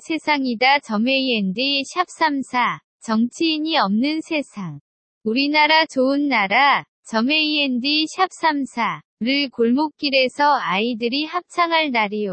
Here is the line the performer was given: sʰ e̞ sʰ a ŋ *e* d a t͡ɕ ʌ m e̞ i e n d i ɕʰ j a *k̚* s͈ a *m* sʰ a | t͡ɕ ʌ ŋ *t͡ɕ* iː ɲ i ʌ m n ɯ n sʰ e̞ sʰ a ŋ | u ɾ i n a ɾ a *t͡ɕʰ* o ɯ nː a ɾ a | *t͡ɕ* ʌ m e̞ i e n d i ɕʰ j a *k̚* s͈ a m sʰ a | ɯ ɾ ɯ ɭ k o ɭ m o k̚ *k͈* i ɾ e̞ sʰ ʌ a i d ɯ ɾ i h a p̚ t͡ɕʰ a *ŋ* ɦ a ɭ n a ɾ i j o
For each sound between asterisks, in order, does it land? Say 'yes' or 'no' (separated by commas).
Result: no, no, yes, no, no, yes, no, yes, yes